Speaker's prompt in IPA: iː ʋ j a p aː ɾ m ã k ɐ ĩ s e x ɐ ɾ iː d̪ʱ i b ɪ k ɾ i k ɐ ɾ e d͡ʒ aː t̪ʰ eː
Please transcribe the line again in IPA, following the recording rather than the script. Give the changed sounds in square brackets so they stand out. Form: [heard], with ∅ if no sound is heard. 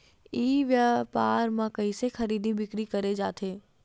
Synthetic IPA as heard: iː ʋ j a p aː ɾ m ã k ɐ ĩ s e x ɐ ɾ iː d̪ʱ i b ɪ k ɾ i k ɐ ɾ e d͡ʒ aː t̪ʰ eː